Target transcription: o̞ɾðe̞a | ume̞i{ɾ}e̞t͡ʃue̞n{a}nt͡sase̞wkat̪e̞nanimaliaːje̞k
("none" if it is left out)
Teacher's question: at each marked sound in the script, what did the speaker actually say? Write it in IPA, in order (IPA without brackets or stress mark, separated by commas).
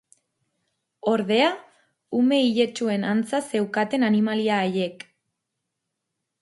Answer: ʎ, a